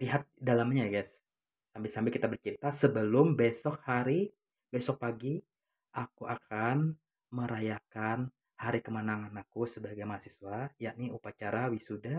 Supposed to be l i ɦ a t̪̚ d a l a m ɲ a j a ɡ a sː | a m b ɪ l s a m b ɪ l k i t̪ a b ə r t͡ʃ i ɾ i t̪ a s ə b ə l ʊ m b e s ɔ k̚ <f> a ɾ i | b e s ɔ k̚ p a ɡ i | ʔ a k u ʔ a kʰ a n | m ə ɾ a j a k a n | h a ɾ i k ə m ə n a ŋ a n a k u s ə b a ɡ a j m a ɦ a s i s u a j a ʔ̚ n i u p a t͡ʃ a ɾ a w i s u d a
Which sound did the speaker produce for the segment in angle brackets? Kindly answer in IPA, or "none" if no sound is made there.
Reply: h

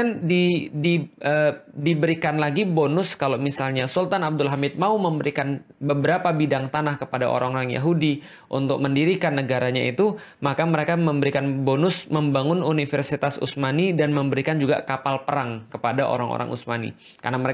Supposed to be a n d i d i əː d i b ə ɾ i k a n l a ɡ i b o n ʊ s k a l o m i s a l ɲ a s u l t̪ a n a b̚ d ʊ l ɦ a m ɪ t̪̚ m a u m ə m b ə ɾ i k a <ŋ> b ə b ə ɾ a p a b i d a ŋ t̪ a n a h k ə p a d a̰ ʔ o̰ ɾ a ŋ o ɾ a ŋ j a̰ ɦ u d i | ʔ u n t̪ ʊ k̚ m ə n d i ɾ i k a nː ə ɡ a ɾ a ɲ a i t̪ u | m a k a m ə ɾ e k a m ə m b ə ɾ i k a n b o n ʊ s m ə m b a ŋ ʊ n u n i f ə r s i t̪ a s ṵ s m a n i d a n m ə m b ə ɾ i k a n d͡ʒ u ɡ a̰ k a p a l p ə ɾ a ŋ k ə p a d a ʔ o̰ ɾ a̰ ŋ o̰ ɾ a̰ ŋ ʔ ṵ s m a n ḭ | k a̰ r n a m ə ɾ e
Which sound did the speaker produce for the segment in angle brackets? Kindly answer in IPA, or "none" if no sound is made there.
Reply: n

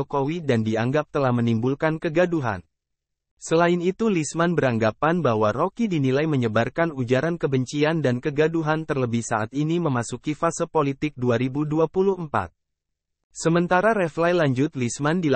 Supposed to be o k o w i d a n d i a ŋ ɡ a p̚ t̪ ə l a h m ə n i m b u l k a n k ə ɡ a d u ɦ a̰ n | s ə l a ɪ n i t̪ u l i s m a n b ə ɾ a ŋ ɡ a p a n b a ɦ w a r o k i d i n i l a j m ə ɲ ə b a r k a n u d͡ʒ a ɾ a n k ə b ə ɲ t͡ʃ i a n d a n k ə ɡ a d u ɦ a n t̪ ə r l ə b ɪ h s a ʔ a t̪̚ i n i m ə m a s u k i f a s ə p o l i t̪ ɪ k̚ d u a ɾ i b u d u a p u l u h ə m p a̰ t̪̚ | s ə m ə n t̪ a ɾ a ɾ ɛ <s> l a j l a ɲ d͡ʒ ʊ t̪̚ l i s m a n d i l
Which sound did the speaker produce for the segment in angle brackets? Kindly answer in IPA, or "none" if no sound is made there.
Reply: f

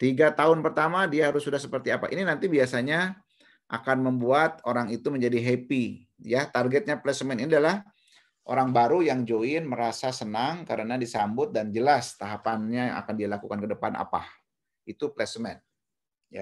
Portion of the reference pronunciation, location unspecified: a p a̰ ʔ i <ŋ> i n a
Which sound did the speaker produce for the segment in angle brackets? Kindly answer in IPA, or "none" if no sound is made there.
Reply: n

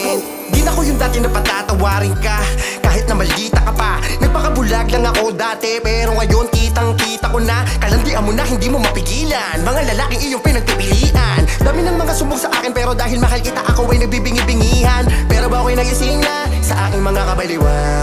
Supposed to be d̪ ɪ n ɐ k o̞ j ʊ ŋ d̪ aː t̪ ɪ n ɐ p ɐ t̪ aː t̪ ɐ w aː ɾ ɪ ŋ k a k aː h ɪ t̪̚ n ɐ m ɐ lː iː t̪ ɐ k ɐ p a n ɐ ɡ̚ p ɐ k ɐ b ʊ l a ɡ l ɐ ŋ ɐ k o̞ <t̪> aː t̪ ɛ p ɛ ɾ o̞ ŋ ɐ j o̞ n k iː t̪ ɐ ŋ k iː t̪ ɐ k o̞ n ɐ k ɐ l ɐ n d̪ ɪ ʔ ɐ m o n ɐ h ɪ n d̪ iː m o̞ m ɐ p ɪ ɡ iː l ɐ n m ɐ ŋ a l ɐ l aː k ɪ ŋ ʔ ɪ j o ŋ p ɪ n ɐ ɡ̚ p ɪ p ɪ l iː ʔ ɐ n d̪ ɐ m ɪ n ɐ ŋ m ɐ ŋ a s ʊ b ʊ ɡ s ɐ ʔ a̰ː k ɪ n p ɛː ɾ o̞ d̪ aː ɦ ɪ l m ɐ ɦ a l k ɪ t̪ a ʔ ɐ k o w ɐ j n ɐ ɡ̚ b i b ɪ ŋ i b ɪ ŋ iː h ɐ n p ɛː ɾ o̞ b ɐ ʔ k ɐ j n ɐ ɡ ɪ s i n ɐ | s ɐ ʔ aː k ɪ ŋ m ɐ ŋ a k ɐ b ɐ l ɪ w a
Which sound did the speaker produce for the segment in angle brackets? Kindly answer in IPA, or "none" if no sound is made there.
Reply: d̪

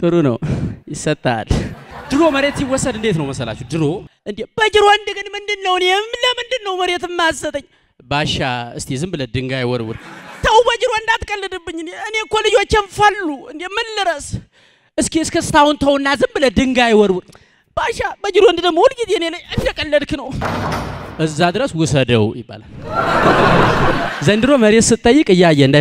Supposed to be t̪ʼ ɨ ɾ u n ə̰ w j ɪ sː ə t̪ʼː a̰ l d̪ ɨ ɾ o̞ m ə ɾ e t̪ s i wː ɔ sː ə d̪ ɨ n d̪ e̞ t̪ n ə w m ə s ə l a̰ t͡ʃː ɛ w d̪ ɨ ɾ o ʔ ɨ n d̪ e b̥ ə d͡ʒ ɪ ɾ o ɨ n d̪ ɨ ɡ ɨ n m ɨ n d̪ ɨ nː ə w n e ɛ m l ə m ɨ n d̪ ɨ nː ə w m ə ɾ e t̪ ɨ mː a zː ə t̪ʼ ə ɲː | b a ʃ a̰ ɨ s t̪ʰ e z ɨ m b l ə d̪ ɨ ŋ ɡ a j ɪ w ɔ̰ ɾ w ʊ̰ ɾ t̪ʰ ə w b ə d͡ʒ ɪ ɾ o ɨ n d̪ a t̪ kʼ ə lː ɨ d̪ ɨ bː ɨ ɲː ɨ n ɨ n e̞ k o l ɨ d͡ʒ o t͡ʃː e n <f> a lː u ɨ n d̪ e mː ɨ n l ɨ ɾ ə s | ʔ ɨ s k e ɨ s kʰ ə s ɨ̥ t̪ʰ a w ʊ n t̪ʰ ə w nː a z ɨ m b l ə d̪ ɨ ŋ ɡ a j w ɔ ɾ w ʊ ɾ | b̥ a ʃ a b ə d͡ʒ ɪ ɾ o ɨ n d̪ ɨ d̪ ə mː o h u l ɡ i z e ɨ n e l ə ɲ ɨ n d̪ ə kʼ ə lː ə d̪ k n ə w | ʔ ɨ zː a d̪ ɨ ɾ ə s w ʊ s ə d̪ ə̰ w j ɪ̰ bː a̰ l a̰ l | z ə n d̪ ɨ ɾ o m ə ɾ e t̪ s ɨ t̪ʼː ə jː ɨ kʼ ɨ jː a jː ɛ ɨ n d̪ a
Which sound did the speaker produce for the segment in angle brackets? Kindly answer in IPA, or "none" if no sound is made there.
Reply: f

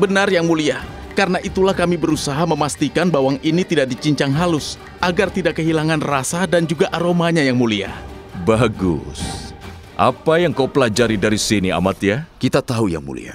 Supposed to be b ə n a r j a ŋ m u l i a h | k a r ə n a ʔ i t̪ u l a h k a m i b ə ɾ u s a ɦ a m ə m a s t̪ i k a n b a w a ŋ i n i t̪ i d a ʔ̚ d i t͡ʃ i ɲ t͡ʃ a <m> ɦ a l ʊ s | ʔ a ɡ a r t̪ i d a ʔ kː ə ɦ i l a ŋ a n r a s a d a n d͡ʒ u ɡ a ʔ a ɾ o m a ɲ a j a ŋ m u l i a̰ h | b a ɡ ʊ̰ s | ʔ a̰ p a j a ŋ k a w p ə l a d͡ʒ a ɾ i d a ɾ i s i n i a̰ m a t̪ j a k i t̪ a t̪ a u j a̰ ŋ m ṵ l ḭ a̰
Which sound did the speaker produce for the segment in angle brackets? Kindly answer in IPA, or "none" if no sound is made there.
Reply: ŋ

